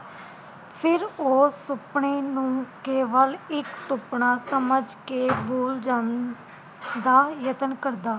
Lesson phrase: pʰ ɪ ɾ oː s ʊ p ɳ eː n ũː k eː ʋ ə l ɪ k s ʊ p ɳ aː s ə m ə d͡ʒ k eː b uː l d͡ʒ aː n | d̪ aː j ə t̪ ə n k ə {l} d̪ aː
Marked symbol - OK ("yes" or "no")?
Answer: no